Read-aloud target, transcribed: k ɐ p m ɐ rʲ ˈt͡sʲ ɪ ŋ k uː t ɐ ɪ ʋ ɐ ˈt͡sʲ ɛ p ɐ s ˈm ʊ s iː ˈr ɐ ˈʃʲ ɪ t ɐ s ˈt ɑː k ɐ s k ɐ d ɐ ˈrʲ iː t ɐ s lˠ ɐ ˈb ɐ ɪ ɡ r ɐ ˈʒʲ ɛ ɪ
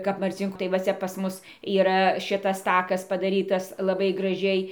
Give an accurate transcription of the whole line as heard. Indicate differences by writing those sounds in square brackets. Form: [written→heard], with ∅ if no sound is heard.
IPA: k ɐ p m ɐ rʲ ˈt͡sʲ ɪ ŋ k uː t ɐ ɪ ʋ ɐ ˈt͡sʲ ɛ p ɐ s ˈm ʊ s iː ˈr ɐ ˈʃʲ ɪ t ɐ s ˈt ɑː k ɐ s [k→p] ɐ d ɐ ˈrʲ iː t ɐ s lˠ ɐ ˈb ɐ ɪ ɡ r ɐ ˈʒʲ ɛ ɪ